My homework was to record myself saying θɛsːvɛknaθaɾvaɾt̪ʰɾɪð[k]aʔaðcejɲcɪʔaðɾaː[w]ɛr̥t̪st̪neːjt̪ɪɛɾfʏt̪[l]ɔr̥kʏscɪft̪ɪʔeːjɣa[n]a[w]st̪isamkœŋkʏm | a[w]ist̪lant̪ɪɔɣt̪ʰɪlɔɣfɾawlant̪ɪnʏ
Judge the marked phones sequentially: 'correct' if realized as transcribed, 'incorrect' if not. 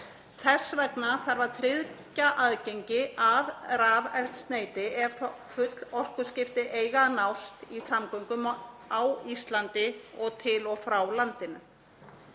incorrect: c, incorrect: v, correct, correct, correct, correct

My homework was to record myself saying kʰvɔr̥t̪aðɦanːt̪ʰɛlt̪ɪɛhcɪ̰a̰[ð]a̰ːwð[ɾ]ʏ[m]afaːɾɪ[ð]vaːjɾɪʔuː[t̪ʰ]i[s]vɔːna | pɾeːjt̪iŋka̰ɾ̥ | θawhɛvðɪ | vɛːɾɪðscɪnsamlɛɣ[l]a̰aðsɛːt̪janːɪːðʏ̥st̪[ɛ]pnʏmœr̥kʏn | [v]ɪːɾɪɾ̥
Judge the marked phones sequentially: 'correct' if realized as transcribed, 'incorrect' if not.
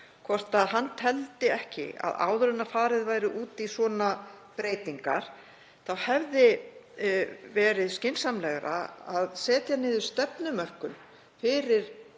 correct, correct, incorrect: n, correct, incorrect: t̪, correct, incorrect: ɾ, correct, incorrect: f

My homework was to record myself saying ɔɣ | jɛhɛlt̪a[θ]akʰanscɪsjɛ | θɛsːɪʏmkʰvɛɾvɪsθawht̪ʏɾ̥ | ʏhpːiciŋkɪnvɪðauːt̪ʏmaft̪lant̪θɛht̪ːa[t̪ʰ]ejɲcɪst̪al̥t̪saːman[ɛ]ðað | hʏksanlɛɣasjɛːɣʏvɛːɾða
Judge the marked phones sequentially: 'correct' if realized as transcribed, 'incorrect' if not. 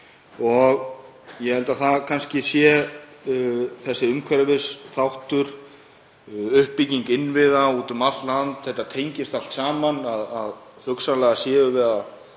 correct, correct, incorrect: a

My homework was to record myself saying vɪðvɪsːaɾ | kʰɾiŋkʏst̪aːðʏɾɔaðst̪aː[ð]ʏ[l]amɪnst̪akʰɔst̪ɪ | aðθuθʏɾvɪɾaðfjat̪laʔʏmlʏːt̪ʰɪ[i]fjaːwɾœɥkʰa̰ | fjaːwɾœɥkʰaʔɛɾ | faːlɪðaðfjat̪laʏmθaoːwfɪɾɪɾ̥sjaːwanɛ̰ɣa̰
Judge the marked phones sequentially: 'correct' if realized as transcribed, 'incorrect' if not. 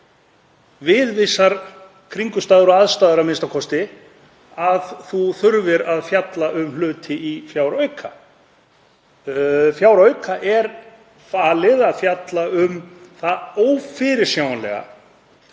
correct, incorrect: ɾ, correct

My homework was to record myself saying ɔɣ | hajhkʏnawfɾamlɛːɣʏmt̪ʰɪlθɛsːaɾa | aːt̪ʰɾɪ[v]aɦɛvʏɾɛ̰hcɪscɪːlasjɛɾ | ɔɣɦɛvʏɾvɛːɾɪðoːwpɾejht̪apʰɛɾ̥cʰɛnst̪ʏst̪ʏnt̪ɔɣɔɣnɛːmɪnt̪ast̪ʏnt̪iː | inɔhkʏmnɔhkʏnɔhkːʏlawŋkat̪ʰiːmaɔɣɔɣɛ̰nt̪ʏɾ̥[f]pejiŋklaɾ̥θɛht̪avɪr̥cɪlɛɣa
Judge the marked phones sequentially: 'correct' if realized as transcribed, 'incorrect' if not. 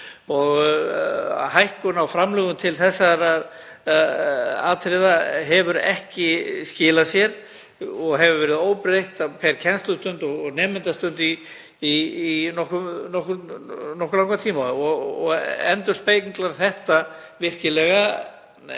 incorrect: ð, incorrect: s

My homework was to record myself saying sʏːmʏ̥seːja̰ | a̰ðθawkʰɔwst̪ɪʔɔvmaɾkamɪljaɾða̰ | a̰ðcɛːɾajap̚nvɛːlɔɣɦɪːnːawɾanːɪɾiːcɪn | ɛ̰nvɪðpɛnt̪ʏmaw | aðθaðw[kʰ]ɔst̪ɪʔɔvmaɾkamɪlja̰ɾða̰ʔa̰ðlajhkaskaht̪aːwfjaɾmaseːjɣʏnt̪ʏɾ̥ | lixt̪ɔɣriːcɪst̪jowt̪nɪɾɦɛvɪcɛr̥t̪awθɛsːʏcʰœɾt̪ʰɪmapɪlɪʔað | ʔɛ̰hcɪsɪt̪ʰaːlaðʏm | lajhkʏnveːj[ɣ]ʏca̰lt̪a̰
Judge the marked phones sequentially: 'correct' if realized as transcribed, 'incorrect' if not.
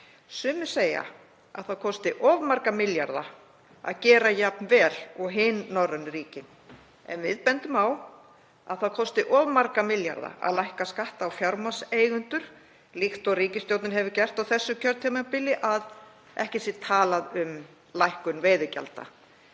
correct, incorrect: ð

